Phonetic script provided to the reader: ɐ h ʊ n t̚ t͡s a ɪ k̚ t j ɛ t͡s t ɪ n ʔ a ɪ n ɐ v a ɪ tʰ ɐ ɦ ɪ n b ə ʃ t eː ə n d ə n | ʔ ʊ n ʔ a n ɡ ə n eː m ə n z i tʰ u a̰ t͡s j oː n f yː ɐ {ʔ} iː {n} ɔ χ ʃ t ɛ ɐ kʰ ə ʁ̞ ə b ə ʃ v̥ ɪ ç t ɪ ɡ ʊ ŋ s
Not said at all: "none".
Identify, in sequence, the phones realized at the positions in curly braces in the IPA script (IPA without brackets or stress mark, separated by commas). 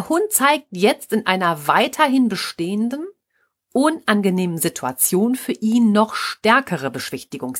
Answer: ʔ, nː